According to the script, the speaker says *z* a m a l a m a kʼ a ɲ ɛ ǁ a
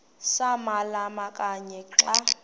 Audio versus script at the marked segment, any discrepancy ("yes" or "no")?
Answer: yes